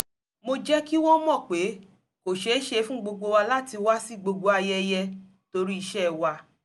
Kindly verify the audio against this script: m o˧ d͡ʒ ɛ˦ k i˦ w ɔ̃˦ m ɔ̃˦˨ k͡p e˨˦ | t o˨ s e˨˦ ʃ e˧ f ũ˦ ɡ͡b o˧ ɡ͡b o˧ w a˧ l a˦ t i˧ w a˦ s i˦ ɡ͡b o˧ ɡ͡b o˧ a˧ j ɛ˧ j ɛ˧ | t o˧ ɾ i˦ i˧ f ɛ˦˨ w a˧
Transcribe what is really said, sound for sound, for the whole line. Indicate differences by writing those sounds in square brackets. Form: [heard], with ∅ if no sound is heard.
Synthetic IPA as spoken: m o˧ d͡ʒ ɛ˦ k i˦ w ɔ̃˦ m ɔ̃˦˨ k͡p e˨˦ | [k] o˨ [ʃ] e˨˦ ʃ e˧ f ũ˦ ɡ͡b o˧ ɡ͡b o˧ w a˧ l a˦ t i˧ w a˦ s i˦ ɡ͡b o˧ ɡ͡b o˧ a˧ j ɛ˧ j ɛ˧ | t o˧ ɾ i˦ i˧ [ʃ] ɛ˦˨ w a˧

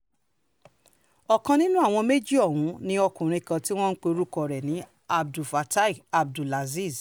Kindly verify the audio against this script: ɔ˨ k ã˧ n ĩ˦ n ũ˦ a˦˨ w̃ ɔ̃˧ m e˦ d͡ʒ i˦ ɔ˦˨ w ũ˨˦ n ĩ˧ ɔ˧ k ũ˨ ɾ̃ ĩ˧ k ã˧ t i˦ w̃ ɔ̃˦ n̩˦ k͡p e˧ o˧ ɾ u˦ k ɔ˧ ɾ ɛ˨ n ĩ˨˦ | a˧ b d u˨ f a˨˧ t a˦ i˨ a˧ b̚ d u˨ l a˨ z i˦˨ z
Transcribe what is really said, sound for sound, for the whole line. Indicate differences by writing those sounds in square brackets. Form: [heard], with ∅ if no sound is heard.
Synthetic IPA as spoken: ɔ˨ k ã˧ n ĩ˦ n ũ˦ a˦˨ w̃ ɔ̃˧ m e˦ d͡ʒ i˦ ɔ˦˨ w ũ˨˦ n ĩ˧ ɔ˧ k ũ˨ ɾ̃ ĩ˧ k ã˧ t i˦ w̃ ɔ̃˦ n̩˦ k͡p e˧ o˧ ɾ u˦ k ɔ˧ ɾ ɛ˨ n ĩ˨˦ | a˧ b d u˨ f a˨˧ t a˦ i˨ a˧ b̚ d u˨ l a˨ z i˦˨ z

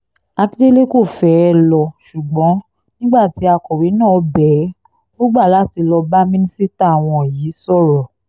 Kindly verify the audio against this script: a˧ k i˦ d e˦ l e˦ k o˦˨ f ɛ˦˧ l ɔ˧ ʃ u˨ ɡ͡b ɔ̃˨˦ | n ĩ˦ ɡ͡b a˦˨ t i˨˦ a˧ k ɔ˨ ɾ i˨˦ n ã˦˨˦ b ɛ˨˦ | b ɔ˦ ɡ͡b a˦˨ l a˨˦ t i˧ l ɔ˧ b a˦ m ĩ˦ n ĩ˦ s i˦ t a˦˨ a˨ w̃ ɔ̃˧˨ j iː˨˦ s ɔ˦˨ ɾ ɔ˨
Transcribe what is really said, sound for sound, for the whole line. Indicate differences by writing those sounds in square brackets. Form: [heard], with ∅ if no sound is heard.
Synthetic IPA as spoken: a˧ k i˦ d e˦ l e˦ k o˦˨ f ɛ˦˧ l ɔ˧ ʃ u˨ ɡ͡b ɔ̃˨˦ | n ĩ˦ ɡ͡b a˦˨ t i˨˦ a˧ k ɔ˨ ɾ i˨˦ n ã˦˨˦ b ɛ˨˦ | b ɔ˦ ɡ͡b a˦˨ l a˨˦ t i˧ l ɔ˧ b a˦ m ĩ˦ n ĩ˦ s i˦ t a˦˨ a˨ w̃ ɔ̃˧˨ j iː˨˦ s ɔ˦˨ ɾ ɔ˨

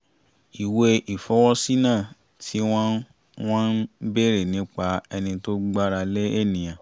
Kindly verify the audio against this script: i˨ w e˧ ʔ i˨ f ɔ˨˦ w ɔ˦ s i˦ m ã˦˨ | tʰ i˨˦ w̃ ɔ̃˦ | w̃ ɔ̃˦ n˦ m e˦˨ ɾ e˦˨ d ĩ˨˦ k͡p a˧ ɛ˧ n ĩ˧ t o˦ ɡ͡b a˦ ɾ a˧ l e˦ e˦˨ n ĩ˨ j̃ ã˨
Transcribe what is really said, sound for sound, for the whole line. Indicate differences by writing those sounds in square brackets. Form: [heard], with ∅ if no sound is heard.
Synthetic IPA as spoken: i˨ w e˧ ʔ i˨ f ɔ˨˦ w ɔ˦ s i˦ [n] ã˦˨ | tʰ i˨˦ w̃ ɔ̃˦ | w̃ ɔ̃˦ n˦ [b] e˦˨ ɾ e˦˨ [n] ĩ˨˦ k͡p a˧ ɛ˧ n ĩ˧ t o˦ ɡ͡b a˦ ɾ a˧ l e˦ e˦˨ n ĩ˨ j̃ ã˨

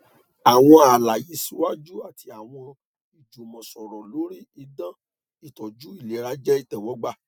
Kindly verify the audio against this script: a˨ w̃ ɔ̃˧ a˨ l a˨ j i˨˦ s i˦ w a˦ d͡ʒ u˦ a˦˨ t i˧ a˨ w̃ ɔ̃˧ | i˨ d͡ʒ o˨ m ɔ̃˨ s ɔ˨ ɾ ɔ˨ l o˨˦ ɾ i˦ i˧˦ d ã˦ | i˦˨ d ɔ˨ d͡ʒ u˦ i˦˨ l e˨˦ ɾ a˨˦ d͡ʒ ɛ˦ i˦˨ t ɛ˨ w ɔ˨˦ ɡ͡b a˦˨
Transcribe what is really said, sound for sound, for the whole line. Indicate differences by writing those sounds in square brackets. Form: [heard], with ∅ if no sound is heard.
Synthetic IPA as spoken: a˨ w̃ ɔ̃˧ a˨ l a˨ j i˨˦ s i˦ w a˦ d͡ʒ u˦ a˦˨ t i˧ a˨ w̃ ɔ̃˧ | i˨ d͡ʒ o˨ m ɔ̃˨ s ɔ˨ ɾ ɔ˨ l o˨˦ ɾ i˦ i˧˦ d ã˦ | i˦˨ [t] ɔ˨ d͡ʒ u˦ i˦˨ l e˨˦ ɾ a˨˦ d͡ʒ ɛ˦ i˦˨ t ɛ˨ w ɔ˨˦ ɡ͡b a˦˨

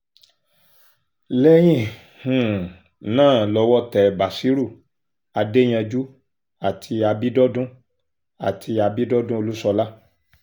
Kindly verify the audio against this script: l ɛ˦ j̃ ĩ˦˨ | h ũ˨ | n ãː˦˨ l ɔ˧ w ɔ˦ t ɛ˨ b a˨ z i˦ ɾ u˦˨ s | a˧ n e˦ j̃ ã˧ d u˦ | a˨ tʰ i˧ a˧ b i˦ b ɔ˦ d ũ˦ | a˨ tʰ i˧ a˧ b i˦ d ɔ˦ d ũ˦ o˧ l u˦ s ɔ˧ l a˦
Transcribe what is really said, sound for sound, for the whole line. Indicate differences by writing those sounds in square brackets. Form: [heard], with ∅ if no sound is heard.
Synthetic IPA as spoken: l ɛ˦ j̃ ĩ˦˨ | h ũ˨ | n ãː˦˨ l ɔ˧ w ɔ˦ t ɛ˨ b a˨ [s] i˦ ɾ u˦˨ [∅] | a˧ [d] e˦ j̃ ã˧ [d͡ʒ] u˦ | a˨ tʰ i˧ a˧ b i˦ [d] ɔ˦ d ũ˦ | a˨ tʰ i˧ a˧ b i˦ d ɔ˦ d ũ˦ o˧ l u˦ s ɔ˧ l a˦

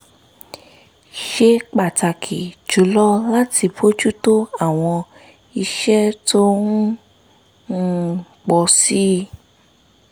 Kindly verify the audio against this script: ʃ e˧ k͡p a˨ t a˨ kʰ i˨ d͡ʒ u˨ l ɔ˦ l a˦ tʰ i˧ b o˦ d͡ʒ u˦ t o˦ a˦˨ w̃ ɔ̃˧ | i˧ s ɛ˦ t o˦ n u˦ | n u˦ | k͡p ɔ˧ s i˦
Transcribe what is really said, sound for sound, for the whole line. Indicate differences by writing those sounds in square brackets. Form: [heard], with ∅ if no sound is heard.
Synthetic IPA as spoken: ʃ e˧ k͡p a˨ t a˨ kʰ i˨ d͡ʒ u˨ l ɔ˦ l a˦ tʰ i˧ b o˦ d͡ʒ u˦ t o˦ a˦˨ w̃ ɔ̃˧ | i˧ [ʃ] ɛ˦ t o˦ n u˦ | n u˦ | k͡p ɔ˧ s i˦

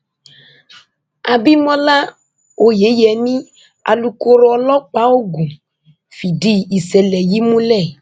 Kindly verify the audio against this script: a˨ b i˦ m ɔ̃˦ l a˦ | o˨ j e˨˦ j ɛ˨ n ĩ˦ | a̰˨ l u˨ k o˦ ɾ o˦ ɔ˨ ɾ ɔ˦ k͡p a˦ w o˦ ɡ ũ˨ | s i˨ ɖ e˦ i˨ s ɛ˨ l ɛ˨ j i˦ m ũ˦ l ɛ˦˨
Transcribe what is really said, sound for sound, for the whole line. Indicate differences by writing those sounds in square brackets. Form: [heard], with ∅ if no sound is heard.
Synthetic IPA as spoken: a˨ b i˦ m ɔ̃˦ l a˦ | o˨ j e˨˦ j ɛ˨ n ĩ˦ | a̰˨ l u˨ k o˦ ɾ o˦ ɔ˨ [l] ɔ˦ k͡p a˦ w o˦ ɡ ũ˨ | [f] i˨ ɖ [i˦] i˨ s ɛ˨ l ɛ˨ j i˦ m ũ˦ l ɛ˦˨

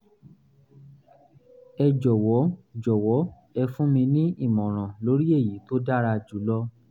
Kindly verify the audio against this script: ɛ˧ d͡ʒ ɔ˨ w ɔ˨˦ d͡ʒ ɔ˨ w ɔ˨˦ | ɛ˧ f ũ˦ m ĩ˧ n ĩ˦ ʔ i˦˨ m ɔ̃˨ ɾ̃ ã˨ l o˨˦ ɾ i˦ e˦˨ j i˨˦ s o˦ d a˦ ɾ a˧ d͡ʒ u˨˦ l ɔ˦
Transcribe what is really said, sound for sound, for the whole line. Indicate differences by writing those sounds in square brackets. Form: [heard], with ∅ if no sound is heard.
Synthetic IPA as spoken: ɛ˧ d͡ʒ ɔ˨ w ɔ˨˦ d͡ʒ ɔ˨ w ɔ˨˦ | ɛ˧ f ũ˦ m ĩ˧ n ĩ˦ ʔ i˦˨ m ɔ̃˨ ɾ̃ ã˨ l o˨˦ ɾ i˦ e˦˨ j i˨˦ [t] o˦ d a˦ ɾ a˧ d͡ʒ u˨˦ l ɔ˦

